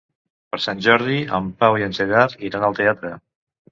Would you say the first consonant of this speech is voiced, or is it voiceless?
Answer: voiceless